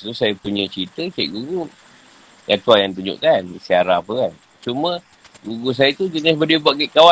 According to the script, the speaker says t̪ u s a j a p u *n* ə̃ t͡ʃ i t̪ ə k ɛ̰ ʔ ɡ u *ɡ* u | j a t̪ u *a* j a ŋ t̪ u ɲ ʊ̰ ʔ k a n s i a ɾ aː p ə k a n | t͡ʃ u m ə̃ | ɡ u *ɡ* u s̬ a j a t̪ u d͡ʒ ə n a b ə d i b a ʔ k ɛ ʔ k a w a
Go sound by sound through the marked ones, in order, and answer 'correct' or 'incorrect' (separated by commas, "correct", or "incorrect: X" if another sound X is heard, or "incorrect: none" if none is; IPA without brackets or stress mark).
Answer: incorrect: ɲ, correct, correct, correct